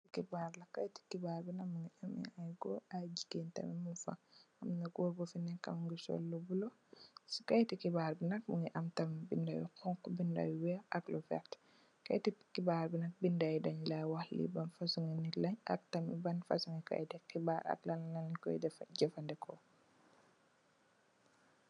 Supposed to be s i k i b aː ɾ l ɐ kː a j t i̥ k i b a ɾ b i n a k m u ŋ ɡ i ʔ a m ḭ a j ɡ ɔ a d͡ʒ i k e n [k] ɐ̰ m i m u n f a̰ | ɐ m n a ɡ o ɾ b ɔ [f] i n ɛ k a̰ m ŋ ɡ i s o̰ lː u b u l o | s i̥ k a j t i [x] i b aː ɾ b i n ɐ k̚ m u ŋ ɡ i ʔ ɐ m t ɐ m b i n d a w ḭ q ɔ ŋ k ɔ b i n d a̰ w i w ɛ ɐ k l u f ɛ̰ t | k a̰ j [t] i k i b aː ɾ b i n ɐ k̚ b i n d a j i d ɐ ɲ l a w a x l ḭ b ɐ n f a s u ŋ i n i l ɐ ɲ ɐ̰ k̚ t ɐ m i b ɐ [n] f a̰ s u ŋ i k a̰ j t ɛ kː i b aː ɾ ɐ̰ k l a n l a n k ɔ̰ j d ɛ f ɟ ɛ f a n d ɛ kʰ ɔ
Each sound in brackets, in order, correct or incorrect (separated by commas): incorrect, correct, incorrect, correct, correct